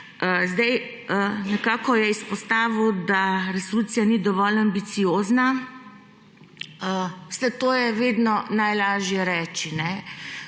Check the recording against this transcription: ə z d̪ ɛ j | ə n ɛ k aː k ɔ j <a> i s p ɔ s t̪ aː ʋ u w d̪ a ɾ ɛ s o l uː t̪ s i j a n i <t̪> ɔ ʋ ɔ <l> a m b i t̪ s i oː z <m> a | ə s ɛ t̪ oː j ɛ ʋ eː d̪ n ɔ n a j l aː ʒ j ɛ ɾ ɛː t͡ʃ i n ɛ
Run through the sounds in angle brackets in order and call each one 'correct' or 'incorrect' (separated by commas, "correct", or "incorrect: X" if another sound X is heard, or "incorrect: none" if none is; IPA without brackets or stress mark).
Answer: incorrect: ɛ, incorrect: d̪, correct, incorrect: n